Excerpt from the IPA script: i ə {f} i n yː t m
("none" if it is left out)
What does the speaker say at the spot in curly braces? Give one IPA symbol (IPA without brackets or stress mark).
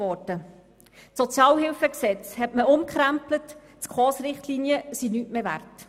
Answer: s